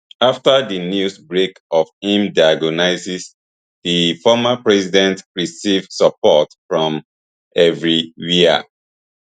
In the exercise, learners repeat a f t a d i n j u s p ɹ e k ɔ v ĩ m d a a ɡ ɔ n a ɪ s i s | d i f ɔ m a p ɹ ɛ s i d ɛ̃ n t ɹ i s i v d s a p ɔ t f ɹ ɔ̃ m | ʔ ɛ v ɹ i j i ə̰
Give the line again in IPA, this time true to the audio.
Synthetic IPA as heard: a f t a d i n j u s b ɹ e k ɔ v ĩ m d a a ɡ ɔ n a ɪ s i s | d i f ɔ m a p ɹ ɛ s i d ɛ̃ n t ɹ i s i v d s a p ɔ t f ɹ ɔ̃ m | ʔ ɛ v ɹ i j i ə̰